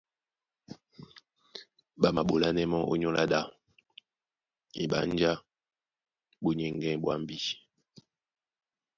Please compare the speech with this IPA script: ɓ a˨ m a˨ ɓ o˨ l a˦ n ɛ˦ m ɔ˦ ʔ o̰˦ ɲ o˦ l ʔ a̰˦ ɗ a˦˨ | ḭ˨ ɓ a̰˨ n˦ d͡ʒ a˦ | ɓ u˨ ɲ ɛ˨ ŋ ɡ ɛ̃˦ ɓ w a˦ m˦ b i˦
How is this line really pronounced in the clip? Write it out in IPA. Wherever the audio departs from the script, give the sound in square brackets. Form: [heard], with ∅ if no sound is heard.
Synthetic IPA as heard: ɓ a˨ m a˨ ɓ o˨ l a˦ n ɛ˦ m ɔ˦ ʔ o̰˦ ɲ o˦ l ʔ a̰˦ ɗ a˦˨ | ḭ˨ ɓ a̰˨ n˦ d͡ʒ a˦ | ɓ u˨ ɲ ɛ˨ ŋ ɡ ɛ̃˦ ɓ w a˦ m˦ b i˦